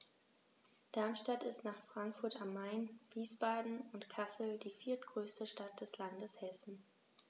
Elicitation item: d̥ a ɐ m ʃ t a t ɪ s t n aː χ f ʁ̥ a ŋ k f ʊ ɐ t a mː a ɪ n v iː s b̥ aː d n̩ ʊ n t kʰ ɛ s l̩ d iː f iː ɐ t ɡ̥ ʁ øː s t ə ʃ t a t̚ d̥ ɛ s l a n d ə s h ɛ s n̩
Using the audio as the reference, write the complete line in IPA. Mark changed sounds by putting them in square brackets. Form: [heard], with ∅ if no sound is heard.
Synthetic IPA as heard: d̥ a ɐ m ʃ t a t ɪ s t n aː χ f ʁ̥ a ŋ k f ʊ ɐ t a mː a ɪ n v iː s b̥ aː d n̩ ʊ n t kʰ [a] s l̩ d iː f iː ɐ t ɡ̥ ʁ øː s t ə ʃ t a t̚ d̥ ɛ s l a n d ə s h ɛ s n̩

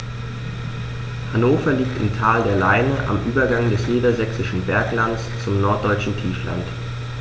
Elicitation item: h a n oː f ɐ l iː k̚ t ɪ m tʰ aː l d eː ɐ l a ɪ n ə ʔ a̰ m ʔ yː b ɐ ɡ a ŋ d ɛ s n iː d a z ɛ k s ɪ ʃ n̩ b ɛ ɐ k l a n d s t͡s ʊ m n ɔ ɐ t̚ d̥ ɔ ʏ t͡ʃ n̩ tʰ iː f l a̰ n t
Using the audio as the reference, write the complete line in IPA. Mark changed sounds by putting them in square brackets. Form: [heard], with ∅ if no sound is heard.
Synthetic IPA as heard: h a n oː f ɐ l iː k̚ t ɪ m tʰ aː l d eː ɐ l a ɪ n ə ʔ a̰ m ʔ yː b ɐ ɡ a ŋ d ɛ s n iː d [ɐ] z ɛ k s ɪ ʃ n̩ b ɛ ɐ k l a n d s t͡s ʊ m n ɔ ɐ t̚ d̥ ɔ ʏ t͡ʃ n̩ tʰ iː f l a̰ n t

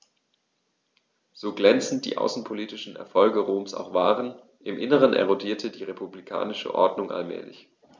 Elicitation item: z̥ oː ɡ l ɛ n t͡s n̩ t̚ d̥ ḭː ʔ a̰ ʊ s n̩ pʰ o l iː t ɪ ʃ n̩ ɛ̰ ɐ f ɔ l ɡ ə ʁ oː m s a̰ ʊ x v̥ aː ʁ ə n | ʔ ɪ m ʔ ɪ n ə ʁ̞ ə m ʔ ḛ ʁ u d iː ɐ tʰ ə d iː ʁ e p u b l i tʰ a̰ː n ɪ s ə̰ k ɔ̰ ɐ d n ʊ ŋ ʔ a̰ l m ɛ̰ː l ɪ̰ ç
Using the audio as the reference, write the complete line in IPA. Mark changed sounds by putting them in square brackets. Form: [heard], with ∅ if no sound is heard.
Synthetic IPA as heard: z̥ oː ɡ l ɛ n t͡s n̩ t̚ d̥ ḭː ʔ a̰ ʊ s n̩ pʰ o l iː t ɪ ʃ n̩ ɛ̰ ɐ f ɔ l ɡ ə ʁ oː m s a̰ ʊ x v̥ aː ʁ ə n | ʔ ɪ m ʔ ɪ n ə ʁ̞ ə [n] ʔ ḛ ʁ [o] d iː ɐ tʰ ə d iː ʁ e p u b l i [kʰ] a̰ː n ɪ [ʃ] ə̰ [ʔ] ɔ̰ ɐ d n ʊ ŋ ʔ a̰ l m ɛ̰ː l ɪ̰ ç

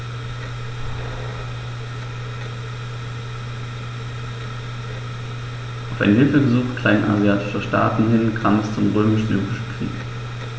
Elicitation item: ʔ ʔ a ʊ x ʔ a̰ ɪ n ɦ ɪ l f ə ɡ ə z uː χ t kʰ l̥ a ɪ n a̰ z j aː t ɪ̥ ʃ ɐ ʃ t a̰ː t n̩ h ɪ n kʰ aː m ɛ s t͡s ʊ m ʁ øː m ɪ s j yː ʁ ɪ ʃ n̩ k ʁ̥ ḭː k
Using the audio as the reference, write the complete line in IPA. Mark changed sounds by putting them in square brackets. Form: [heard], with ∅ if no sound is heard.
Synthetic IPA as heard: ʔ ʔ a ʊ [f] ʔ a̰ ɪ n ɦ ɪ l f ə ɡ ə z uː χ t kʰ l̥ a ɪ n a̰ z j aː t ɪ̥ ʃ ɐ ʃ t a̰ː t n̩ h ɪ n kʰ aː m ɛ s t͡s ʊ m ʁ øː m ɪ [ʃ] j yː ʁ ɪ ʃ n̩ k ʁ̥ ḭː k

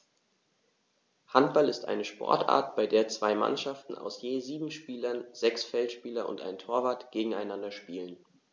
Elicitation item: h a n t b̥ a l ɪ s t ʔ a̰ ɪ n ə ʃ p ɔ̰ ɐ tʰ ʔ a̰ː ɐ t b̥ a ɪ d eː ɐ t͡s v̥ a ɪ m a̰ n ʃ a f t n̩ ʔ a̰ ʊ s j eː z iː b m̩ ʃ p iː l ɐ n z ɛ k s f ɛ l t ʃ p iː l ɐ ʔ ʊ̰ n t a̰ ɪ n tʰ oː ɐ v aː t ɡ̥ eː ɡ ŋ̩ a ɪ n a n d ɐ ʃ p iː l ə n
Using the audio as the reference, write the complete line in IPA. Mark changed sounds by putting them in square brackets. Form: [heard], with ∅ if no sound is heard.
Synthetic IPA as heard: h a n t b̥ a l ɪ s t ʔ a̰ ɪ n ə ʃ p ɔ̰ ɐ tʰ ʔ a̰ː ɐ t b̥ a ɪ d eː ɐ t͡s v̥ a ɪ m a̰ n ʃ a f t n̩ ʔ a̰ ʊ s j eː z iː b m̩ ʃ p iː l ɐ n z ɛ k s f ɛ l t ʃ p iː l ɐ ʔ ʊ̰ n t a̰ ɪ n tʰ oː ɐ v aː t ɡ̥ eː ɡ ŋ̩ a ɪ n a n d ɐ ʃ p iː l ə n

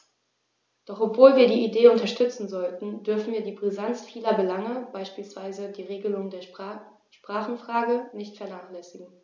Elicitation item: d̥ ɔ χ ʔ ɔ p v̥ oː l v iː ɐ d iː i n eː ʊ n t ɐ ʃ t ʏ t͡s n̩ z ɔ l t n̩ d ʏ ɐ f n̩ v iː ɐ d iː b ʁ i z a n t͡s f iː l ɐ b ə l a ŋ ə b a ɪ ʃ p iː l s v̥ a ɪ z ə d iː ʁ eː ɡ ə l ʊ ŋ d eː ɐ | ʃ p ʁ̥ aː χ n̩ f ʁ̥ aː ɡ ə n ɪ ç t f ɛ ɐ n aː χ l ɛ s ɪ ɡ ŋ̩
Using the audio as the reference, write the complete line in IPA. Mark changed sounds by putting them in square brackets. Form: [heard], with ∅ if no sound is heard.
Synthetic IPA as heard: d̥ ɔ χ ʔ ɔ p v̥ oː l v iː ɐ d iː i [d] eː ʊ n t ɐ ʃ t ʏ t͡s n̩ z ɔ l t n̩ d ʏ ɐ f n̩ v iː ɐ d iː b ʁ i z a n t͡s f iː l ɐ b ə l a ŋ ə b a ɪ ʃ p iː l s v̥ a ɪ z ə d iː ʁ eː ɡ ə l ʊ ŋ d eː ɐ | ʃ p ʁ̥ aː χ n̩ f ʁ̥ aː ɡ ə n ɪ ç t f ɛ ɐ n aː χ l ɛ s ɪ ɡ ŋ̩

